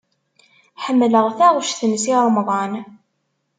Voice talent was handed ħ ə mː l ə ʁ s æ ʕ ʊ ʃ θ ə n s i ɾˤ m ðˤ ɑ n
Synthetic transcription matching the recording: ħ ə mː l ə ʁ θ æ ʁ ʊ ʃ θ ə n s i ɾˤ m ðˤ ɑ n